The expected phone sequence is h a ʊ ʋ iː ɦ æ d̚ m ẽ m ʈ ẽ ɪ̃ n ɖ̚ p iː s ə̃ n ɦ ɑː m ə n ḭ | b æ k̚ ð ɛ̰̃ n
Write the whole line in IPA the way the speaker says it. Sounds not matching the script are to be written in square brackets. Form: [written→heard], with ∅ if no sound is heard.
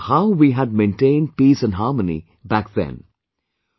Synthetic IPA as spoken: h a ʊ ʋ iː ɦ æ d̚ m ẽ [m→n] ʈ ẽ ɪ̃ n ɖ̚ p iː s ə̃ n ɦ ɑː m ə n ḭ | b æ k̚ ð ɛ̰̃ n